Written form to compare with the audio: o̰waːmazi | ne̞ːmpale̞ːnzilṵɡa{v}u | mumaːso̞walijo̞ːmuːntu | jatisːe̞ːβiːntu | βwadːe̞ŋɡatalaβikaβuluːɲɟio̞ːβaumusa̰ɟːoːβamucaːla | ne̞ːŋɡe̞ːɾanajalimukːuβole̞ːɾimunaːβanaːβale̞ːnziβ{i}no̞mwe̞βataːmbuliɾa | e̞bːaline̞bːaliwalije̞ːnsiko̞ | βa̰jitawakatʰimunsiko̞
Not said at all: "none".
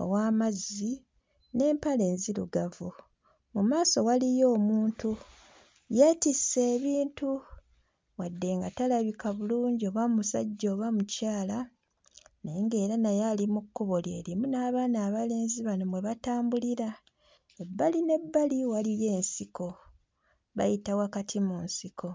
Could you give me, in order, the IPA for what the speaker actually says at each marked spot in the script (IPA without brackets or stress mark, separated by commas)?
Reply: v, a